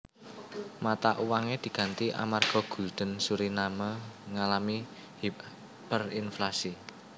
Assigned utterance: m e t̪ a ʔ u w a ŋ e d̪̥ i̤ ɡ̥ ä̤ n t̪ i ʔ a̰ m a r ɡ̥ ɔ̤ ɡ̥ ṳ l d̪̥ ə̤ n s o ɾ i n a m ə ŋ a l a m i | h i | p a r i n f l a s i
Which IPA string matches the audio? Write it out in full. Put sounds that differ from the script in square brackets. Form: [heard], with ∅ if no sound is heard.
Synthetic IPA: m [a] t̪ a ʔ u w a ŋ e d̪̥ i̤ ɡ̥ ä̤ n t̪ i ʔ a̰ m a r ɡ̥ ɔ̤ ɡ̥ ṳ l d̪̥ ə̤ n s [u] ɾ i n a m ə ŋ a l a m i | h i | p [ə] r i n f l a s i